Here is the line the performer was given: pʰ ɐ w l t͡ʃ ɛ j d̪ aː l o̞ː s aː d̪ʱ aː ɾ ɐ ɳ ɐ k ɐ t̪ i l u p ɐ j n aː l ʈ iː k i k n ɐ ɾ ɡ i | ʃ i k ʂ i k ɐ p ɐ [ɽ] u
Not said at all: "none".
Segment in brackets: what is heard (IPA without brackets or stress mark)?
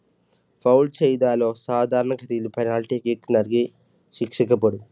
ɽ